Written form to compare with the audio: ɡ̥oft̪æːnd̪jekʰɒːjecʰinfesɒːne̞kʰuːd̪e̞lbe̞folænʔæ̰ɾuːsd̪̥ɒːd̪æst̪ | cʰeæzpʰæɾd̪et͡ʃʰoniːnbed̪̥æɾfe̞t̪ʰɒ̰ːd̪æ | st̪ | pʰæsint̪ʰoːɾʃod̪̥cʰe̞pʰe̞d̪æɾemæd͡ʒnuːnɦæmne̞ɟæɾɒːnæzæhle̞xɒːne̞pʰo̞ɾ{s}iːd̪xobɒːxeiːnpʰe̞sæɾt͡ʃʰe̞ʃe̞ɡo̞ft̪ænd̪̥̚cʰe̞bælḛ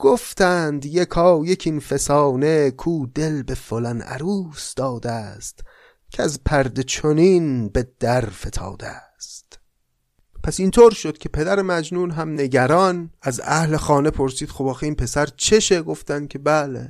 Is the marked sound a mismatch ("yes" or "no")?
no